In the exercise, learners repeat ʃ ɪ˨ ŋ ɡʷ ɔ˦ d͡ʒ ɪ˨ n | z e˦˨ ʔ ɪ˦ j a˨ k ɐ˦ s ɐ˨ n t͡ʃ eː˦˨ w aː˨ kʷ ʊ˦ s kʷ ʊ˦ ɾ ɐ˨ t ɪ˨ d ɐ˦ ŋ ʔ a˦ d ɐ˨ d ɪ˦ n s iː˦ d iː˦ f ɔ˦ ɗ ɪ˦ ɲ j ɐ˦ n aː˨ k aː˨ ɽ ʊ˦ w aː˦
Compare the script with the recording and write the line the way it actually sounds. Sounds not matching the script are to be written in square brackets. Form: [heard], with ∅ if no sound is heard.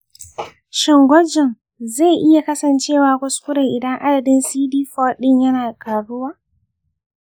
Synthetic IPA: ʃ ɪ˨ ŋ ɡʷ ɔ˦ d͡ʒ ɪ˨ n | z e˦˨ ʔ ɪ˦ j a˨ k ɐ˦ s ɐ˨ n t͡ʃ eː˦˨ w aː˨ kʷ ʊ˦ s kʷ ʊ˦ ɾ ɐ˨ [ʔ] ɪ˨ d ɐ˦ ŋ ʔ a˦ d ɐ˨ d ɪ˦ n s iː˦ d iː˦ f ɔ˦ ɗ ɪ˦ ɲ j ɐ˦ n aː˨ k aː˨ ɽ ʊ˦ w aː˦